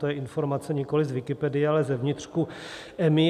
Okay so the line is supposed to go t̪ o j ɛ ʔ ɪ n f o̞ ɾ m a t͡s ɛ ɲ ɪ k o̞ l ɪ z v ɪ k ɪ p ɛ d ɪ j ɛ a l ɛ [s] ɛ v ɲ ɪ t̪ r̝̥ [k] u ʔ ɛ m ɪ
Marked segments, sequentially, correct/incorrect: incorrect, correct

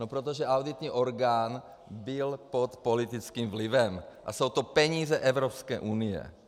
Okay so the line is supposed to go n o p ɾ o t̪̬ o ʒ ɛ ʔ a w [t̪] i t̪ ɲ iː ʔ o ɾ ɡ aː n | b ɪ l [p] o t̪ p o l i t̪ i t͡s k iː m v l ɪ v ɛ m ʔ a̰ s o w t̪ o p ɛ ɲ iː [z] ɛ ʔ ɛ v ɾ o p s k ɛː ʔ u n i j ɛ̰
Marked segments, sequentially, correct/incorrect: incorrect, correct, correct

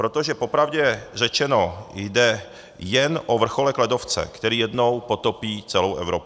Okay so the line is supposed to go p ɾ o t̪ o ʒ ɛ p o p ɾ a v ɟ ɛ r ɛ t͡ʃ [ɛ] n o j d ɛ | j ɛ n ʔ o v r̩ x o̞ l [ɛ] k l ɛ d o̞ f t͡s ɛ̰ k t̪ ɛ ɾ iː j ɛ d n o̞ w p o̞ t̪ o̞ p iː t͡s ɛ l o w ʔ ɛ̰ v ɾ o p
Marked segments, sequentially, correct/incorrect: correct, correct

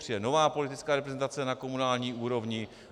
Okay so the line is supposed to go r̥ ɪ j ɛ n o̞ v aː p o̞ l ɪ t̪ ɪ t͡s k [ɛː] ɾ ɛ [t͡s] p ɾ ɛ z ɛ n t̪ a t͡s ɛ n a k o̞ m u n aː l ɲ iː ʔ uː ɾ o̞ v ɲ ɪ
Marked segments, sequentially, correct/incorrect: incorrect, incorrect

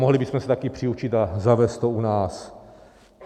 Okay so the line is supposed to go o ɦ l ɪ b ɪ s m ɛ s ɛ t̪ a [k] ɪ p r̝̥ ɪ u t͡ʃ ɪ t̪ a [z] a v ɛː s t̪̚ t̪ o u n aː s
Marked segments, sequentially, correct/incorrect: correct, correct

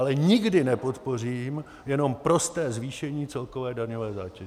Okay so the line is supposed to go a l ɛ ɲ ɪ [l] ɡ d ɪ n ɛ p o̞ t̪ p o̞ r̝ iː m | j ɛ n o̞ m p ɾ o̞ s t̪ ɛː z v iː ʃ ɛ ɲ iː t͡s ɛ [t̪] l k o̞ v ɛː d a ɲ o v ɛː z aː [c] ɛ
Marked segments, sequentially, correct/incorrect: incorrect, incorrect, correct

